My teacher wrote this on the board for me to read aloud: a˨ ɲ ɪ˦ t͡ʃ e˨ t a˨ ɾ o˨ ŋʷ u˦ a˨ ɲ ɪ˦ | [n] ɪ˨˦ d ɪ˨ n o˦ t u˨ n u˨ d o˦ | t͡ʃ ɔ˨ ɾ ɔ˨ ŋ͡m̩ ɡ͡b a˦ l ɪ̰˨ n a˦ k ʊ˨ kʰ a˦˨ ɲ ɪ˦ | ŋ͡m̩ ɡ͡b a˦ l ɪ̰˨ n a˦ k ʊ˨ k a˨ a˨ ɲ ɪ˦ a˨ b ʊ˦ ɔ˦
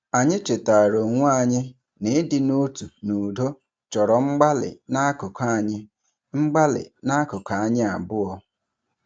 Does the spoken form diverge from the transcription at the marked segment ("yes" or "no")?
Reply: no